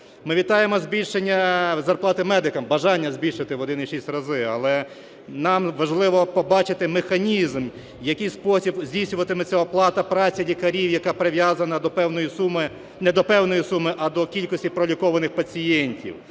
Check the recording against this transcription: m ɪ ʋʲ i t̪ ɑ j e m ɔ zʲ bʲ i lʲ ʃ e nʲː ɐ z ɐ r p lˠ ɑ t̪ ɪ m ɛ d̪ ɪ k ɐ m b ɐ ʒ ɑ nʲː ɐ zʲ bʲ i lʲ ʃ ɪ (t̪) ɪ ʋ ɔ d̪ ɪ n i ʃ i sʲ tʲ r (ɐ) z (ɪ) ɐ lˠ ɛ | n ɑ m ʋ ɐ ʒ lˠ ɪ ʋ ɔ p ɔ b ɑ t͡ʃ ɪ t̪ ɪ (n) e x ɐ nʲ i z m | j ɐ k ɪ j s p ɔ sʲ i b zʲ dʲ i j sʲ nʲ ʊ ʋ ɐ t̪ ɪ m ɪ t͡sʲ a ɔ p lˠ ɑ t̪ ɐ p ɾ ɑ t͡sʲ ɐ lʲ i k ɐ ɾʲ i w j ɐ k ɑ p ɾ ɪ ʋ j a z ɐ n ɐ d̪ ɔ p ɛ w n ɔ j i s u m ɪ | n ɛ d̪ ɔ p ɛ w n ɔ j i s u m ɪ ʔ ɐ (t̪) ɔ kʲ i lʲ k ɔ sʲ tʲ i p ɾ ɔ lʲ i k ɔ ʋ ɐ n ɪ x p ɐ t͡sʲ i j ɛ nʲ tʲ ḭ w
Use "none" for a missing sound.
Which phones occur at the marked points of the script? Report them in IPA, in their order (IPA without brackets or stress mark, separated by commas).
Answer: t̪, ɐ, ɪ, m, d̪